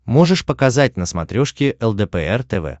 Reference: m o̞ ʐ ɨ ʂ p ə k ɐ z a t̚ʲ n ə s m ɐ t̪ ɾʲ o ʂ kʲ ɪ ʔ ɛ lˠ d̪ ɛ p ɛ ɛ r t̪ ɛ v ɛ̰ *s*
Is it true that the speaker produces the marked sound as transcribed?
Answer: no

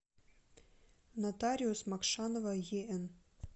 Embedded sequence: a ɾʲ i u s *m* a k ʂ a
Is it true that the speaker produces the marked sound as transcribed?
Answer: yes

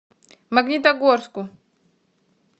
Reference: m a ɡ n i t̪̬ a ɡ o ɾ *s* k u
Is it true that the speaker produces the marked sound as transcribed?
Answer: yes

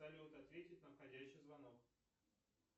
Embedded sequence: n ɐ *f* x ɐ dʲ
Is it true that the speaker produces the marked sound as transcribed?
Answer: yes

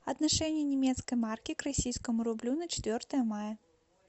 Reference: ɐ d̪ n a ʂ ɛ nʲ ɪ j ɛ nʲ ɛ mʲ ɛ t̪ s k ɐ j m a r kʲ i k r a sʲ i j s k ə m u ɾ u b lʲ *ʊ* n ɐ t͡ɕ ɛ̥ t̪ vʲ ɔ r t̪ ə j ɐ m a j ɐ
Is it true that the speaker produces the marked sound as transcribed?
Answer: no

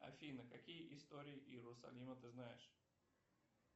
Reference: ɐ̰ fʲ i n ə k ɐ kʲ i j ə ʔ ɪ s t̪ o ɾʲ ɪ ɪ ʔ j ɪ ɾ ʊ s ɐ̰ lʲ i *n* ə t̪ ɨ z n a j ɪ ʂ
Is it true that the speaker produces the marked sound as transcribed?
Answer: no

